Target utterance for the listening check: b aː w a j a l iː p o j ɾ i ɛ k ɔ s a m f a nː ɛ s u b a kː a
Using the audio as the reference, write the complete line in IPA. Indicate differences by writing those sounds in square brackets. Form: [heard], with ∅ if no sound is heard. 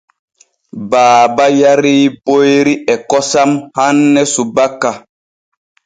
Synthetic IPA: b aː [b] a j a [ɾ] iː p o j ɾ i ɛ k ɔ s a m [h] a nː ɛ s u b a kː a